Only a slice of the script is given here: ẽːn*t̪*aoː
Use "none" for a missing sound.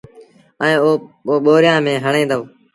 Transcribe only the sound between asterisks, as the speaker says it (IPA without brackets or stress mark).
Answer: d̪